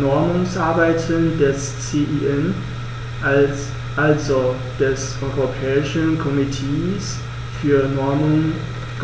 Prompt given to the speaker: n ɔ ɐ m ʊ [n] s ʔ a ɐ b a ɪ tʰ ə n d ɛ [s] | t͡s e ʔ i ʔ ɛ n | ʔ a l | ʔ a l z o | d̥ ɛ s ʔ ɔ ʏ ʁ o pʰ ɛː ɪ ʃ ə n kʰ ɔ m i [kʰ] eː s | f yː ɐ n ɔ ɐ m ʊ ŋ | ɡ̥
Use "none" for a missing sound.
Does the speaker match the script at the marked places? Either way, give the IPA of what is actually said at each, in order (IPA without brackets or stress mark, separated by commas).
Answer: ŋ, s, tʰ